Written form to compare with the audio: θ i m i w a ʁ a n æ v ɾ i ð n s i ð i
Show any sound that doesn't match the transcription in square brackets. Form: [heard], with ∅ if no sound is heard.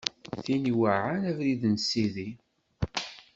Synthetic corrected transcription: θ i [n] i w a [ʕ] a n æ v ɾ i ð n s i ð i